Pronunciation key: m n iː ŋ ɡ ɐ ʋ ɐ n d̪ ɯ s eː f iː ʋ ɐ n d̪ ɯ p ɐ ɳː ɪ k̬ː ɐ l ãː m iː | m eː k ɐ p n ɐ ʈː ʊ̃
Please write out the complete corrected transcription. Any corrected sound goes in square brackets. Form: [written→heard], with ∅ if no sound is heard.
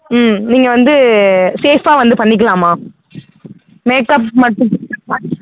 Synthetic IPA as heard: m n iː ŋ ɡ ɐ ʋ ɐ n d̪ ɯ s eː f [iː→aː] ʋ ɐ n d̪ ɯ p ɐ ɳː ɪ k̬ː ɐ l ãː m [iː→aː] | m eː k ɐ p [n→m] ɐ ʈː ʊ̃